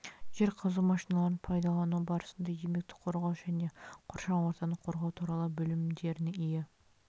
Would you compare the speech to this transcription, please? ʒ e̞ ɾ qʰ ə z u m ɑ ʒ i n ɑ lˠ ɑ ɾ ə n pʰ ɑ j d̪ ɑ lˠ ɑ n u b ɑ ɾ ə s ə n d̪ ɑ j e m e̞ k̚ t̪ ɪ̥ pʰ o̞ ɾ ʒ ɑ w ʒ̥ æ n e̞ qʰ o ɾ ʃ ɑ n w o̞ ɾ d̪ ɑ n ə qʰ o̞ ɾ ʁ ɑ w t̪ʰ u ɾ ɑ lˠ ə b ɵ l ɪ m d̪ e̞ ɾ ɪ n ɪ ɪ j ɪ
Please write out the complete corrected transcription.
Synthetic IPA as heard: ʒ e̞ ɾ qʰ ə z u m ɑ ʃ i n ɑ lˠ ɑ ɾ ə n pʰ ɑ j d̪ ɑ lˠ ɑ n u b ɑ ɾ ə s ə n d̪ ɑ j e m e̞ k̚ t̪ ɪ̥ qʰ o̞ ɾ ʁ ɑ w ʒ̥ æ n e̞ qʰ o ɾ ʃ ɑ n w o̞ ɾ t̪ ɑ n ə qʰ o̞ ɾ ʁ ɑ w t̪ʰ u ɾ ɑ lˠ ə b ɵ l ɪ m d̪ e̞ ɾ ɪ n ɪ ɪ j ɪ

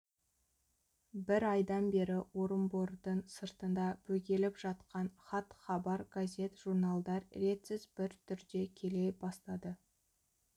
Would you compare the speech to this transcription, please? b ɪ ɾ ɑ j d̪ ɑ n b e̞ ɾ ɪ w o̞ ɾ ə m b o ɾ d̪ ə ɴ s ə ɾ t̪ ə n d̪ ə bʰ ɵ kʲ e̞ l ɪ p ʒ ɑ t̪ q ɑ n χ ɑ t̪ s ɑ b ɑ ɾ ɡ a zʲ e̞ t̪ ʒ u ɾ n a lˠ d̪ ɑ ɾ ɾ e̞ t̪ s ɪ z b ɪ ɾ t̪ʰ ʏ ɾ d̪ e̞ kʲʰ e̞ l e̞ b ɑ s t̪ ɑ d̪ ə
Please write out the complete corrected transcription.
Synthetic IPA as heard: b ɪ ɾ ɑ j d̪ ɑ n b e̞ ɾ ɪ w o̞ ɾ ə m b o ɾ d̪ ə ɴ s ə ɾ t̪ ə n d̪ ɑ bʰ ɵ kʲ e̞ l ɪ p ʒ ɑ t̪ q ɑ n χ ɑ t̪ χ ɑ b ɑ ɾ ɡ a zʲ e̞ t̪ ʒ u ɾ n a lˠ d̪ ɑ ɾ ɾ e̞ t̪ s ɪ z b ɪ ɾ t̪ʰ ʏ ɾ d̪ e̞ kʲʰ e̞ l e̞ b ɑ s t̪ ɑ d̪ ə

